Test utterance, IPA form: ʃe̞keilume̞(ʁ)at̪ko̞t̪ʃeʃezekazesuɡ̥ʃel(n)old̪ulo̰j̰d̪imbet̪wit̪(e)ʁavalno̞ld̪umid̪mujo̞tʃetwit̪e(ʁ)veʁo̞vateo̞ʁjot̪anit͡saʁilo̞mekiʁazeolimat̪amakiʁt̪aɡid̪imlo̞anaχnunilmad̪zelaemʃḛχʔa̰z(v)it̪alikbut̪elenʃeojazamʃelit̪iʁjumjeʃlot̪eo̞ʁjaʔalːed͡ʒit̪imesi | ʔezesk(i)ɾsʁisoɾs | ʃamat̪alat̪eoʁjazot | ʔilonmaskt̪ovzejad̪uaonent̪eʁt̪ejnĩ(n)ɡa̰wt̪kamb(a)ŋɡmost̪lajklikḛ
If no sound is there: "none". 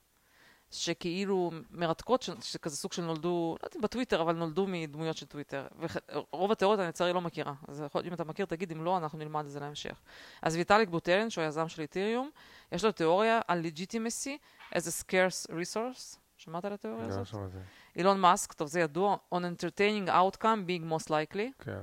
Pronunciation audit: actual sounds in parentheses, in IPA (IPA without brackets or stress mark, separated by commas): ʁ, n, e, ʁ, v, e, ŋ, i